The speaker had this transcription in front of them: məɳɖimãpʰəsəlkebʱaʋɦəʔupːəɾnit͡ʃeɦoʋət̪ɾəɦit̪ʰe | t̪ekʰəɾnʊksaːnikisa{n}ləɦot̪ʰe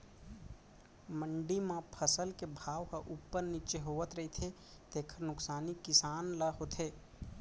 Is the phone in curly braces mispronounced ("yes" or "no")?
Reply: no